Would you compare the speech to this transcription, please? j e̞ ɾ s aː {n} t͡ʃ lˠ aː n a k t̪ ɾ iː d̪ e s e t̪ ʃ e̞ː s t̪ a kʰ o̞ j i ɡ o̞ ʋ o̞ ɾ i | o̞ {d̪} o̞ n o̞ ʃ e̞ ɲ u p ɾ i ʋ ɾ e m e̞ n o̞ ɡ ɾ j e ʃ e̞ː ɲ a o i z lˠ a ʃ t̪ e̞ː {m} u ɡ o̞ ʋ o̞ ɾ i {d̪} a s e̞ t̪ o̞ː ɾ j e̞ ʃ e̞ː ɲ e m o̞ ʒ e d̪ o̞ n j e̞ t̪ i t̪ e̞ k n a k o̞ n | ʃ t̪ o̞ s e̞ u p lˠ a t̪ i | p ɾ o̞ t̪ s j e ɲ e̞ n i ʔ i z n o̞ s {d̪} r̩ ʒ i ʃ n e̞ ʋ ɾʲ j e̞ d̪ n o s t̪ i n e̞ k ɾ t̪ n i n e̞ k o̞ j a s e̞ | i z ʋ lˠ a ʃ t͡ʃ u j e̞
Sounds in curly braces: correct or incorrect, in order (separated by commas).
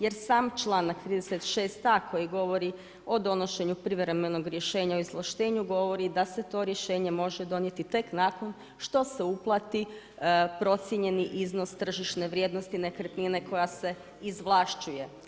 incorrect, correct, incorrect, correct, incorrect